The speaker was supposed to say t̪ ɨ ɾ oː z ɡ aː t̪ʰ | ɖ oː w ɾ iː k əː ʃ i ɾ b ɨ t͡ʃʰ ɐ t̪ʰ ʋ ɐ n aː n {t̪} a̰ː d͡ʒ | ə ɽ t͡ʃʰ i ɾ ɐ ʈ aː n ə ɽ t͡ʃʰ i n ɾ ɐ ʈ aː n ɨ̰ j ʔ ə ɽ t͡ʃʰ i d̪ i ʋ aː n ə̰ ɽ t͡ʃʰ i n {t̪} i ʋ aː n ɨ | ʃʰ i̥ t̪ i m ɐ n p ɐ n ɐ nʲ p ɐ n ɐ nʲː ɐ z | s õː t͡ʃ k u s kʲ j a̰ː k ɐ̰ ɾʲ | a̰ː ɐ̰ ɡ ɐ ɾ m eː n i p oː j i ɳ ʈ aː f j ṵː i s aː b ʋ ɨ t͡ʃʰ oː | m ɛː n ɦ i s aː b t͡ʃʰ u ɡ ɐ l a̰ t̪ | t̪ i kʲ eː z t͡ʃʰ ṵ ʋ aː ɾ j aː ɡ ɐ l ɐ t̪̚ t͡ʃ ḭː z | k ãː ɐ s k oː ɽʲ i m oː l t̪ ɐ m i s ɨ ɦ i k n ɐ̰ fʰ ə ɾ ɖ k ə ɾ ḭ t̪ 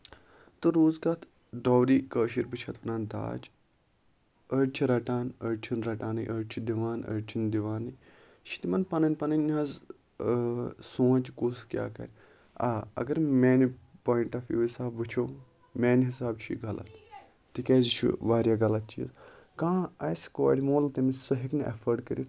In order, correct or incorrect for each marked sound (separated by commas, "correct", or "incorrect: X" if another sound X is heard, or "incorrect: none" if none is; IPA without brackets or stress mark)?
incorrect: d̪, incorrect: d̪